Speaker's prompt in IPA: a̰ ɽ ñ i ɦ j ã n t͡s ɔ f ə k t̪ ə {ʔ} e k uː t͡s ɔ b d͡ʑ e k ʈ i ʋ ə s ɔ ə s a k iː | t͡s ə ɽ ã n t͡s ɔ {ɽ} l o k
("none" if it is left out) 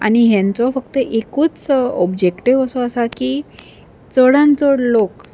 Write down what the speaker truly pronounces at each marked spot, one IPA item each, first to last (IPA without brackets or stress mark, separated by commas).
ʔ, ɽ